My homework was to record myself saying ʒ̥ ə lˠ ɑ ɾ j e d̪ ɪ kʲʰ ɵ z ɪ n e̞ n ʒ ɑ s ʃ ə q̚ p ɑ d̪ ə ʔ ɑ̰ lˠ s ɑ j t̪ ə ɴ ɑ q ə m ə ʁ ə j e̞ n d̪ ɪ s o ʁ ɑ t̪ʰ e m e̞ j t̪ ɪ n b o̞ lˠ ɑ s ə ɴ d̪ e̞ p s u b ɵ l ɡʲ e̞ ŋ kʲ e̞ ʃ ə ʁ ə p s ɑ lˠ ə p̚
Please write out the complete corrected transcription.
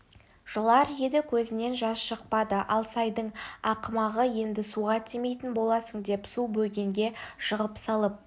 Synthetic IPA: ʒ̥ ə lˠ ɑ ɾ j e d̪ ɪ kʲʰ ɵ z ɪ n e̞ n ʒ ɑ s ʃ ə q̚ p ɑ d̪ ə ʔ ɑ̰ lˠ s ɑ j d̪ ə ɴ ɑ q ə m ɑ ʁ ə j e̞ n d̪ ɪ s u ʁ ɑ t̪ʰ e m e̞ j t̪ ɪ n b o̞ lˠ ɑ s ə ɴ d̪ e̞ p s u b ɵ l ɡʲ e̞ ŋ ɡʲ e̞ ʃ ə ʁ ə p s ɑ lˠ ə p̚